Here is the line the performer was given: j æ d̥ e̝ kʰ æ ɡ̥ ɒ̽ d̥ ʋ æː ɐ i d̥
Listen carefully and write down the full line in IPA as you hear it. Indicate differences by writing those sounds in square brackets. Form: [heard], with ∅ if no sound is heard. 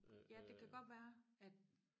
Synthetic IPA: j æ d̥ e̝ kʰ æ ɡ̥ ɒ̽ d̥ ʋ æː ɐ [æ] d̥